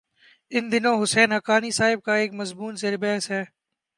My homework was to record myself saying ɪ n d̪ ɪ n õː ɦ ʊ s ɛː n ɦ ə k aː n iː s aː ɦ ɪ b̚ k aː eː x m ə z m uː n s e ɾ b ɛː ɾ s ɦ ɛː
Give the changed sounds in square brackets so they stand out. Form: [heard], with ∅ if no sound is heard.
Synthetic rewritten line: ɪ n d̪ ɪ n õː ɦ ʊ s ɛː n ɦ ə k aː n iː s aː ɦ ɪ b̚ k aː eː [k] m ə z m uː n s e ɾ b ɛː [∅] s ɦ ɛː